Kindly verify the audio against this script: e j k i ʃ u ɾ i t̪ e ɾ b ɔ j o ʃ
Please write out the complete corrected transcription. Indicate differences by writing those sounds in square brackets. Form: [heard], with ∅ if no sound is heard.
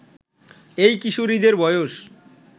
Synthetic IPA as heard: e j k i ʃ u ɾ i [d̪] e ɾ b ɔ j o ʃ